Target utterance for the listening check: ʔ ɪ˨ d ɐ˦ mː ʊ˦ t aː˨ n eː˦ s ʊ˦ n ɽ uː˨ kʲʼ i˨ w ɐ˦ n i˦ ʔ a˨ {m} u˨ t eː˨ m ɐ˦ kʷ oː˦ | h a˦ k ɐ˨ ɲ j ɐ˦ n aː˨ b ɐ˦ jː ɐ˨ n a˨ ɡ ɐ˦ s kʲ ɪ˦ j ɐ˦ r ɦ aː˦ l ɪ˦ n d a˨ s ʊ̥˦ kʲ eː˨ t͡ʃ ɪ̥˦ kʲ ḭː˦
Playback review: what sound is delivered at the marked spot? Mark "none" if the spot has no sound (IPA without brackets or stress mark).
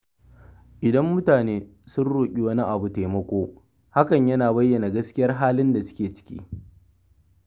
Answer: b